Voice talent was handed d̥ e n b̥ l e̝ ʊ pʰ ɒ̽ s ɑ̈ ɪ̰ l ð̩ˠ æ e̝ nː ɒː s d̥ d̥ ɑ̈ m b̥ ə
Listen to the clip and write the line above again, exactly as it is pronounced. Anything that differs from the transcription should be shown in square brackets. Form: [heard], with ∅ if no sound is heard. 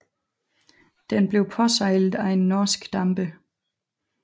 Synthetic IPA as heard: d̥ e n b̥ l e̝ ʊ pʰ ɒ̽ s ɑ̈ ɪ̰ l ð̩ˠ æ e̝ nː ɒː s [ɡ̥] d̥ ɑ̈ m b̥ ə

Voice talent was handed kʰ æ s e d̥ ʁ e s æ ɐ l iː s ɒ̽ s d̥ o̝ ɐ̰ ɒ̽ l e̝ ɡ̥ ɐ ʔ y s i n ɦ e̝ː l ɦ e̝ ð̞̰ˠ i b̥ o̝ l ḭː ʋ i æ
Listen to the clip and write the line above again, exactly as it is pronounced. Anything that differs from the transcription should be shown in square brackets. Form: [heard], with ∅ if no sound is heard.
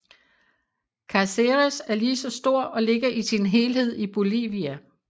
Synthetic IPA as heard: kʰ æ s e [∅] ʁ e s æ ɐ l iː s ɒ̽ s d̥ o̝ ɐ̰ ɒ̽ l e̝ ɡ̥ ɐ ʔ [i] s i n ɦ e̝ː l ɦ e̝ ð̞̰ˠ i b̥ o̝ l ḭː ʋ i æ

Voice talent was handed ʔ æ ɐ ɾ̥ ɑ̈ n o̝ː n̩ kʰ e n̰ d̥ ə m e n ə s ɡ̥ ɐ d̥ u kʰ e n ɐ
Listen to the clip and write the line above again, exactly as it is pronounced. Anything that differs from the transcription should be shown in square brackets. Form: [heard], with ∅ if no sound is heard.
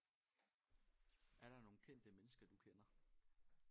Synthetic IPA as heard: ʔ æ ɐ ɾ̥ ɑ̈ n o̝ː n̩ kʰ e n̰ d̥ ə m e n ə s ɡ̥ ɐ d̥ u kʰ e n ɐ

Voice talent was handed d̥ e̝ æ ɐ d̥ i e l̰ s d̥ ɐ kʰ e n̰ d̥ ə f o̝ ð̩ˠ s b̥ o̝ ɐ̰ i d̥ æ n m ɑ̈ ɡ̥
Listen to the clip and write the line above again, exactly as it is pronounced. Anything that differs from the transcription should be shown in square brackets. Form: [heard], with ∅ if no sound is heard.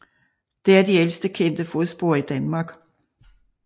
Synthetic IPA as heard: d̥ e̝ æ ɐ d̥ i e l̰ s d̥ [ə] kʰ e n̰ d̥ ə f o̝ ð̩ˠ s b̥ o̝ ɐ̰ i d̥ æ n m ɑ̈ ɡ̥

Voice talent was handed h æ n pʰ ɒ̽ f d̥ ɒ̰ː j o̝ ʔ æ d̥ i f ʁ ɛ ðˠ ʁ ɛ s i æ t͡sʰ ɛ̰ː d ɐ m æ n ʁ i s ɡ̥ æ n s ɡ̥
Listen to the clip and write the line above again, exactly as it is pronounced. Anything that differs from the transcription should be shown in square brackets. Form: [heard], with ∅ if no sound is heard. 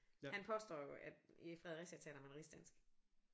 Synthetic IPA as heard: h æ n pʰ ɒ̽ [s] d̥ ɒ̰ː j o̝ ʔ æ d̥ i f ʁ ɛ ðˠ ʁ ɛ s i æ t͡sʰ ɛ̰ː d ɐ m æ n ʁ i s [d̥] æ n s ɡ̥

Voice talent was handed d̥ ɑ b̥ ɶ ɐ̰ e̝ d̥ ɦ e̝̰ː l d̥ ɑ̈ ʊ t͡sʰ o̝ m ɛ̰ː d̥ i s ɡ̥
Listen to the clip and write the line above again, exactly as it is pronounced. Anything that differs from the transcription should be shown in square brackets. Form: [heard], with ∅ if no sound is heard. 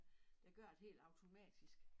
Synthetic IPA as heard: d̥ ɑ [ɡ̥] ɶ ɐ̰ e̝ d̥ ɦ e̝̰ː l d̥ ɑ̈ ʊ t͡sʰ o̝ m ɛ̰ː d̥ i s ɡ̥

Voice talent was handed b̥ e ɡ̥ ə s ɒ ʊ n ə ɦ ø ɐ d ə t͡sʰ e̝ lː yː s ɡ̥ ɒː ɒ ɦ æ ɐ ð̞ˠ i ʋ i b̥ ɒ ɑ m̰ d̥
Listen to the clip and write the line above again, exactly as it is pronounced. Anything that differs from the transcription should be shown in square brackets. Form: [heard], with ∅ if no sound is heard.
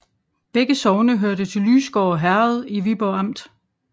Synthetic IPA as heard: b̥ e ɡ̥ ə s ɒ ʊ n ə ɦ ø ɐ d ə t͡sʰ e̝ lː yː s ɡ̥ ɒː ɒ ɦ æ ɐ ð̞ˠ i ʋ i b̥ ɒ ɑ m̰ d̥

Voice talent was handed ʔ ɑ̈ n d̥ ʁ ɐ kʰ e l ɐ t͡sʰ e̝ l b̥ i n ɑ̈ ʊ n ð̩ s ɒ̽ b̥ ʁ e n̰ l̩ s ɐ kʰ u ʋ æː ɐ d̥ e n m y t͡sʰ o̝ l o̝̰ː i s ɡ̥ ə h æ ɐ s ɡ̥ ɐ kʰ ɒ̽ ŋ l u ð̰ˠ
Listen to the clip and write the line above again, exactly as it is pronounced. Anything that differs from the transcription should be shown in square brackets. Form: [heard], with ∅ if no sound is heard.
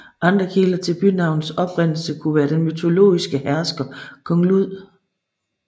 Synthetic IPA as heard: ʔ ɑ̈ n d̥ ʁ ɐ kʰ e l ɐ t͡sʰ e̝ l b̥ [y] n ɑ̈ ʊ n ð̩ s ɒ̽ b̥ ʁ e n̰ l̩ s [ə] kʰ u ʋ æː ɐ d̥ e n m y t͡sʰ o̝ l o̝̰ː i s ɡ̥ ə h æ ɐ s ɡ̥ ɐ kʰ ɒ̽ ŋ l u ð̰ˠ

